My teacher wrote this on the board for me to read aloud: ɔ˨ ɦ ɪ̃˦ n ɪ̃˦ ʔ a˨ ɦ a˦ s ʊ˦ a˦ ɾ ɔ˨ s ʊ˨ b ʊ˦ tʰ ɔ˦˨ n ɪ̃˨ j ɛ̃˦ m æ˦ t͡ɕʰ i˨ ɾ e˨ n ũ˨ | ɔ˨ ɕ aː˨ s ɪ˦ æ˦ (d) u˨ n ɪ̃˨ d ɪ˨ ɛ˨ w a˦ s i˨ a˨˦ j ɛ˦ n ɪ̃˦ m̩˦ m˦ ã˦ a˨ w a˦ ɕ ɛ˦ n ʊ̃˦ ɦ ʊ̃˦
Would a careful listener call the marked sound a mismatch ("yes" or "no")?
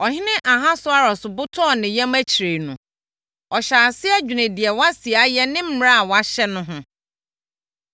yes